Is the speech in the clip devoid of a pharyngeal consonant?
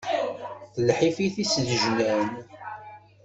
no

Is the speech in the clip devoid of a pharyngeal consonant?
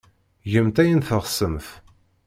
yes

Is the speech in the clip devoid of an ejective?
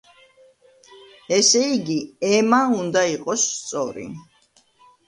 no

